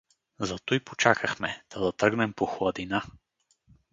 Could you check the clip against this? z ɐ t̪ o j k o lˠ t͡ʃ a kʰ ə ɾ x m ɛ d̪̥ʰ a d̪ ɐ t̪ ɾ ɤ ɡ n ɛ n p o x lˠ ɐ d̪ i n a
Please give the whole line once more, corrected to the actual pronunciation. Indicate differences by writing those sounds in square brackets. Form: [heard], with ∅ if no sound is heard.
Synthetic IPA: z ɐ t̪ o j [p] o [∅] t͡ʃ a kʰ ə [∅] x m ɛ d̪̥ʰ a d̪ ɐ t̪ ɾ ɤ ɡ n ɛ [m] p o x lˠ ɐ d̪ i n a